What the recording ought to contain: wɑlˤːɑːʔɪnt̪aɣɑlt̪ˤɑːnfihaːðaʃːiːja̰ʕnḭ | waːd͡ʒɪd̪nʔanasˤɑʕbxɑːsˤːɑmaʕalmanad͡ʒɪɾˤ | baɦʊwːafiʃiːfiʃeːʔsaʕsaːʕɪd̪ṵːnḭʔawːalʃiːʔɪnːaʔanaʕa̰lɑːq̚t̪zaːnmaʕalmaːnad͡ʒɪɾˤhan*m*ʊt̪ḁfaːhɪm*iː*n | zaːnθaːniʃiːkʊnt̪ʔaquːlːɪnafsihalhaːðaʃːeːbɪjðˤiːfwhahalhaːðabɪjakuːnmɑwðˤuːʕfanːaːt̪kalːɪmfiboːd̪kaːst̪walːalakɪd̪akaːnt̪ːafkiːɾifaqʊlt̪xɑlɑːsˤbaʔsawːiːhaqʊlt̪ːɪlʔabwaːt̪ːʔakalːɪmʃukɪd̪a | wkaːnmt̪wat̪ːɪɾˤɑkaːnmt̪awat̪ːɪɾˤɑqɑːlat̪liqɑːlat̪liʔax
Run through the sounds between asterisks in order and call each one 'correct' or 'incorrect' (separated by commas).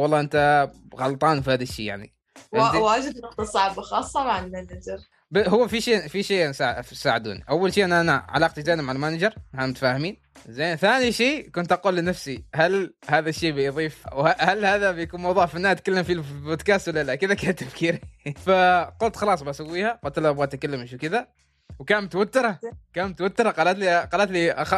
correct, correct